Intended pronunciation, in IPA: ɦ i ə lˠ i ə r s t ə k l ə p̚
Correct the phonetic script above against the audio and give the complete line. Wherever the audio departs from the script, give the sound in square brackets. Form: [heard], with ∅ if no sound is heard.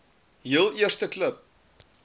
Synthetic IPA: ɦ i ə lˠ i ə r s t ə k l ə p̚

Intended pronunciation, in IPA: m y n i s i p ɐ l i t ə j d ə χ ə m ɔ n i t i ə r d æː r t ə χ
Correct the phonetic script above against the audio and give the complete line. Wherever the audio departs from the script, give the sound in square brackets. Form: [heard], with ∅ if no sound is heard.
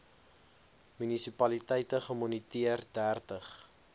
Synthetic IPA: m y n i s i p ɐ l i t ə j [t] ə χ ə m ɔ n i t i ə r d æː r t ə χ

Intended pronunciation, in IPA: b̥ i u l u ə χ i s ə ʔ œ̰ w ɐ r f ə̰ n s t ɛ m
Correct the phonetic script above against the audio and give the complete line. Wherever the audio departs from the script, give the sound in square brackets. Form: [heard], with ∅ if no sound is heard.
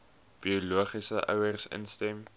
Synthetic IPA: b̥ i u l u ə χ i s ə ʔ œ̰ w [ə] r [s] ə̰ n s t ɛ m

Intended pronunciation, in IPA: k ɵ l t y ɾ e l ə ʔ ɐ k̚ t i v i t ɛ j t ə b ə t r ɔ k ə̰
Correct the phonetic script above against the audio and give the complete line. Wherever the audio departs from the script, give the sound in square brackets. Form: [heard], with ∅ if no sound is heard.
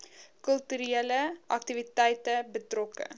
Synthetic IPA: k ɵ l t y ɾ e l ə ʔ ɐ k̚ t i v i t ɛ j t ə b ə t r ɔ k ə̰

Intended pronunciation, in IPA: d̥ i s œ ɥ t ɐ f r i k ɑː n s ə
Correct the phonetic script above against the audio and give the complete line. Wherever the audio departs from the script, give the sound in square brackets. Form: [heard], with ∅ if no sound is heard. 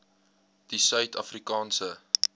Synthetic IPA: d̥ i s œ ɥ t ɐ f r i k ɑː n s ə

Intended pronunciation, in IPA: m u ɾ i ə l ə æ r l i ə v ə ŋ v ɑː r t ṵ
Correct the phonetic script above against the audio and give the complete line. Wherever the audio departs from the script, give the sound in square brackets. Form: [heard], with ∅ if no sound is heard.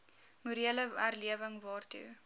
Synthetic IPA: m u ɾ i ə l ə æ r l i ə v ə ŋ v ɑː r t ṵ

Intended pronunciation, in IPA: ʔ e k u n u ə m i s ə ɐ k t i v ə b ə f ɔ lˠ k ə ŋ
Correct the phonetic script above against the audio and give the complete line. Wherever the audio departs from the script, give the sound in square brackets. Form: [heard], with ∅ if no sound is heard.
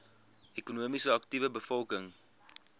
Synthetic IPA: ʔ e k u n u ə m i s ə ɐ k t i v ə b ə f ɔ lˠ k ə ŋ

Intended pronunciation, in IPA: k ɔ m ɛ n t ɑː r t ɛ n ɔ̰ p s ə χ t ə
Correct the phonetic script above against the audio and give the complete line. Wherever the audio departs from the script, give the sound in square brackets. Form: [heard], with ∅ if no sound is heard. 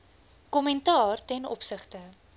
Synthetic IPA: k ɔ m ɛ n t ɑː r t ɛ n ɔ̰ p s ə χ t ə

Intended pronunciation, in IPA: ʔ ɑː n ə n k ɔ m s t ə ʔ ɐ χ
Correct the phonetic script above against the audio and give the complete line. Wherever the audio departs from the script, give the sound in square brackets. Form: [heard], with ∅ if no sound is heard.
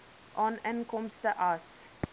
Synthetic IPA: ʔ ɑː n ə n k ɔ m s t ə ʔ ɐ [s]

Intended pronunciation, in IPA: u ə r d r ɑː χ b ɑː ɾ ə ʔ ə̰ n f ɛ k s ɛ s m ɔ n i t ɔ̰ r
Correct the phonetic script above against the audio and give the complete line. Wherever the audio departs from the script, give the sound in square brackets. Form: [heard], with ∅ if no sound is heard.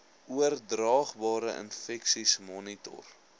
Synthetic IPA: u ə r d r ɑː χ b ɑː ɾ ə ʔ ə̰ n f ɛ k s [i] s m ɔ n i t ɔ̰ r

